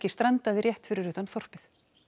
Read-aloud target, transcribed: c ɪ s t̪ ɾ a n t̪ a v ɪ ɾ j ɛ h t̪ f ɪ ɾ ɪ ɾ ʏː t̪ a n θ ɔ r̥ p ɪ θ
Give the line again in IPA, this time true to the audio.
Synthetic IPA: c ɪ s t̪ ɾ a n t̪ a ð ɪ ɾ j ɛ h t̪ f ɪ ɾ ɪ ɾ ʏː t̪ a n θ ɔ r̥ p ɪ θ